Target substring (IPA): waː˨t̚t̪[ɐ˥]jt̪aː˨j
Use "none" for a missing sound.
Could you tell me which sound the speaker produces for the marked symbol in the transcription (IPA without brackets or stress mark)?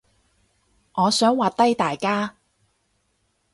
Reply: ɐ˥